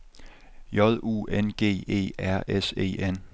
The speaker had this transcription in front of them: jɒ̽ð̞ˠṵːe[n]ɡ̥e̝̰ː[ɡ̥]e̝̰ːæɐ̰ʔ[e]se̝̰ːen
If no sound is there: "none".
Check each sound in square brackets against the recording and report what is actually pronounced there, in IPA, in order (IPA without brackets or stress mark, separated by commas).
n, none, e